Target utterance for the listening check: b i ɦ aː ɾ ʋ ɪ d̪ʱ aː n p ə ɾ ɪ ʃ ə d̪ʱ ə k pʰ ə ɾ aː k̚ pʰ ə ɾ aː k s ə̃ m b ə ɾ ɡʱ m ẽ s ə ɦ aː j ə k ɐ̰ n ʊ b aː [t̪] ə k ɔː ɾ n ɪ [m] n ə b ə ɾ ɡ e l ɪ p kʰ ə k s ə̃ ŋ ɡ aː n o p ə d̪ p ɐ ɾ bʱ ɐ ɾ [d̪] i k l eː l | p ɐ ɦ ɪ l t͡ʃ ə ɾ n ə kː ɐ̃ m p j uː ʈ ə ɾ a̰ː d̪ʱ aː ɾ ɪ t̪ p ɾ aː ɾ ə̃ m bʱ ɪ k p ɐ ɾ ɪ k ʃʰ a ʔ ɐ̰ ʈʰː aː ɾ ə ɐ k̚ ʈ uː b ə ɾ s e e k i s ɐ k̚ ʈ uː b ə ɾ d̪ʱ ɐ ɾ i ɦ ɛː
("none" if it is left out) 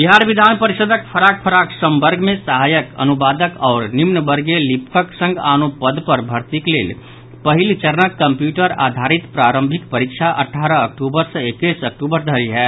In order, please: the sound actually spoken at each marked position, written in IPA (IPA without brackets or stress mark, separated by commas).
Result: d̪, m, t̪